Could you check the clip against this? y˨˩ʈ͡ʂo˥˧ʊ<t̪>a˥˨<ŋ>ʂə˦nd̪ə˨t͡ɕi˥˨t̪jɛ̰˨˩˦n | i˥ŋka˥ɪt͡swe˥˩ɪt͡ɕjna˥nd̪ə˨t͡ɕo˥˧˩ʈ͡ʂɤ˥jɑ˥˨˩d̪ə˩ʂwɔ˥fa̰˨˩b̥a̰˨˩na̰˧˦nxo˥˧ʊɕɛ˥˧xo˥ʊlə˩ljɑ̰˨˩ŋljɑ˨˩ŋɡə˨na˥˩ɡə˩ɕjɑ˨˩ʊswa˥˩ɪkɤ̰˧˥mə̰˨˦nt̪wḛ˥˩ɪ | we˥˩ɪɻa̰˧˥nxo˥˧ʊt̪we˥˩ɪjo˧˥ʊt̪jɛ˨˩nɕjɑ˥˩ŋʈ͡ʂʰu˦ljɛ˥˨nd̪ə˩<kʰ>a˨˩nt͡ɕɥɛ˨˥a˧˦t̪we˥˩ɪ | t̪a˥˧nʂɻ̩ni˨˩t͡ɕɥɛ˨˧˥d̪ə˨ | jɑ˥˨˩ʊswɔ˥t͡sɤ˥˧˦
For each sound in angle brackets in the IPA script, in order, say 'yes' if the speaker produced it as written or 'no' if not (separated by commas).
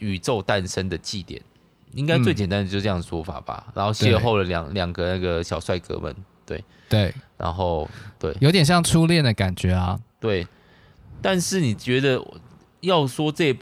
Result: yes, no, no